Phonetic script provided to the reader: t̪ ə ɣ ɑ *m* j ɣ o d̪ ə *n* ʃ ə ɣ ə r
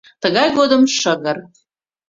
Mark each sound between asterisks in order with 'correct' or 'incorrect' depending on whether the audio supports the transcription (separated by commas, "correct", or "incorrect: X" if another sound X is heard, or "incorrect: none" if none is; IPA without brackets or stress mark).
incorrect: none, incorrect: m